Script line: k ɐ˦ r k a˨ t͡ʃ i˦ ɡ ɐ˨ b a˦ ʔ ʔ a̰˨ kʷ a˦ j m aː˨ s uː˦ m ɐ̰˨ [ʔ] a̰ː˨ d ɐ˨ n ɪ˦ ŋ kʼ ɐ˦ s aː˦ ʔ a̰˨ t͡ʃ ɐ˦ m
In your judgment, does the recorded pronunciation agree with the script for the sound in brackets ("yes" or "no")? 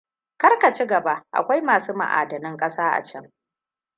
yes